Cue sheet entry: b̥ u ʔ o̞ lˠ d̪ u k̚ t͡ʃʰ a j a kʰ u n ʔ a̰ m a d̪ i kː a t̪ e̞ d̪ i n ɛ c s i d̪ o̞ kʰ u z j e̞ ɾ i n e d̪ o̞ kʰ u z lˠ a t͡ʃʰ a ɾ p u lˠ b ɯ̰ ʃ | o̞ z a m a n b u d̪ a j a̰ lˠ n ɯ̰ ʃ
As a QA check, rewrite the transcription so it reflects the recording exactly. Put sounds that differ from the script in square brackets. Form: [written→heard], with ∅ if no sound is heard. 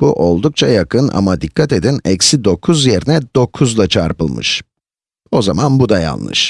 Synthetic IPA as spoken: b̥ u ʔ o̞ lˠ d̪ u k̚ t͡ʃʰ a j a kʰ [u→ɯ] n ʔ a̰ m a d̪ i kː a t̪ e̞ d̪ i n ɛ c s i d̪ o̞ kʰ u z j e̞ ɾ i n [e→ɛ] d̪ o̞ kʰ u z lˠ a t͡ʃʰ a ɾ p [u→ɯ] lˠ [b→m] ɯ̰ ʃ | o̞ z a m a n b u d̪ a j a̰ lˠ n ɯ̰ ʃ